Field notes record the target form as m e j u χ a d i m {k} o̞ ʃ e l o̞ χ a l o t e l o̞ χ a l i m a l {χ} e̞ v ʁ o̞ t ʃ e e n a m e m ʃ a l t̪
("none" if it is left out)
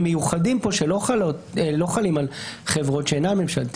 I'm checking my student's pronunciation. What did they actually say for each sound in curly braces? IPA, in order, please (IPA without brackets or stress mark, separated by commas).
p, χ